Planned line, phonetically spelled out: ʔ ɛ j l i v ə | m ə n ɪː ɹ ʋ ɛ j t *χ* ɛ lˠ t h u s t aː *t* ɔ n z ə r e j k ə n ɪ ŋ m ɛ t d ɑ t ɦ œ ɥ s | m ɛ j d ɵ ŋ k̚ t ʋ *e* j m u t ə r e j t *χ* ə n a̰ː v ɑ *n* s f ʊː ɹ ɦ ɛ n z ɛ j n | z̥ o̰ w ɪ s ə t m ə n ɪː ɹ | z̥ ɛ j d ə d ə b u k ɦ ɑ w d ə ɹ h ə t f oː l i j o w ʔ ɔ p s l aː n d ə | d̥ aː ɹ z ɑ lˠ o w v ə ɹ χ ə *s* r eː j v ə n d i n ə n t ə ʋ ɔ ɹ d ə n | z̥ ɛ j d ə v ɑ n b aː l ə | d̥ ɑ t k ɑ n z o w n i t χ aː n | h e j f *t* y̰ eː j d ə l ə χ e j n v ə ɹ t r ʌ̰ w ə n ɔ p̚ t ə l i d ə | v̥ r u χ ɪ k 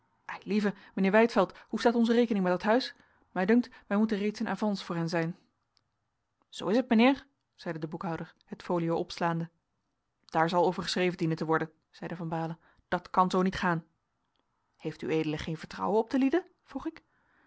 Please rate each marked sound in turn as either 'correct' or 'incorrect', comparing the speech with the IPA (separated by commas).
incorrect, correct, incorrect, incorrect, correct, correct, correct